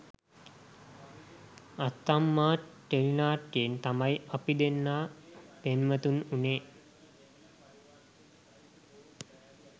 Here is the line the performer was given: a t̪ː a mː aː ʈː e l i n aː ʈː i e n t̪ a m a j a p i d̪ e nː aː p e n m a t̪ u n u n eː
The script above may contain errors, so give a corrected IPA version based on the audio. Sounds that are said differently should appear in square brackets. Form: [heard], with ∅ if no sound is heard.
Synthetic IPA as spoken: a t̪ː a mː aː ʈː e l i n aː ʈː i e n t̪ a m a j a p i d̪ e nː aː p e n m [ə] t̪ u n u n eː

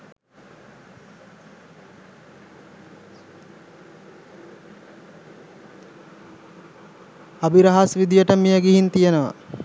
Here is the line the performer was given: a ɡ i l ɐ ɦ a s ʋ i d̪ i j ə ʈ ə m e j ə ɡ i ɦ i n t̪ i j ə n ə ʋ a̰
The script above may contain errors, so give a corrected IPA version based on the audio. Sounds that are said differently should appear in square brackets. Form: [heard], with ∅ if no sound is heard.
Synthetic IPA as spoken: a [b] i [ɾ] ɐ ɦ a s ʋ i d̪ i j ə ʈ ə m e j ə ɡ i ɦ i n t̪ i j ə n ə ʋ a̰

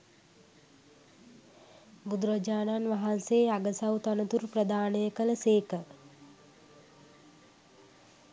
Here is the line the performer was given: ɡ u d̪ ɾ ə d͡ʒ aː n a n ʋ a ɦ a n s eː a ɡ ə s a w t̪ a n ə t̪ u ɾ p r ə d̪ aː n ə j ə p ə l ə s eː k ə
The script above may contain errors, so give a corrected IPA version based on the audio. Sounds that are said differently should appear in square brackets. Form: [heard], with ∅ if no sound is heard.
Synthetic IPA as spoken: ɡ u d̪ ɾ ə d͡ʒ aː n a n ʋ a ɦ a n s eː a ɡ ə s a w t̪ a n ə t̪ u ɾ p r ə d̪ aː n ə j ə [k] ə l ə s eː k ə

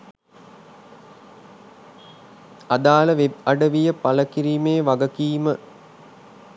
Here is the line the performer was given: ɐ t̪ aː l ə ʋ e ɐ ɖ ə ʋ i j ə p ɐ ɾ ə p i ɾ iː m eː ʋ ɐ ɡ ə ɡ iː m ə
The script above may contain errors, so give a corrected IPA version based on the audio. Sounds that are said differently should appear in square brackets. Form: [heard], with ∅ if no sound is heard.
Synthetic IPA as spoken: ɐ [d̪] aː l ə ʋ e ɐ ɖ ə ʋ i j ə p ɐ [l] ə [k] i ɾ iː m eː ʋ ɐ ɡ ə [k] iː m ə

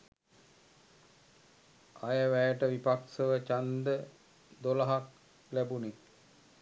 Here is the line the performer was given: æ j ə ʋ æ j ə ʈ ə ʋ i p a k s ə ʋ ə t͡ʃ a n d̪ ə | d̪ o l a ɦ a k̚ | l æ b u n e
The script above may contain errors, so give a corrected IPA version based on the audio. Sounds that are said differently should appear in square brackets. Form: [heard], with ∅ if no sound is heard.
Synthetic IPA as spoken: [a] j ə ʋ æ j ə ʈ ə ʋ i p a k s ə ʋ ə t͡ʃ a n d̪ ə | d̪ o l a ɦ a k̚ | l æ b u n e

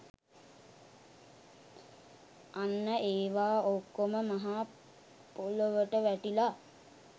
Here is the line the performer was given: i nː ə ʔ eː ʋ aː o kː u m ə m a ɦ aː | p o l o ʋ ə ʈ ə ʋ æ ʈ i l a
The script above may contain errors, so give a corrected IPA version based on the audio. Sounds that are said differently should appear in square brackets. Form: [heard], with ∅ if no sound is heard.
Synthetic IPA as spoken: [a] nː ə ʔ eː ʋ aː o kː [o] m ə m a ɦ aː | p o l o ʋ ə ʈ ə ʋ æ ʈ i l a

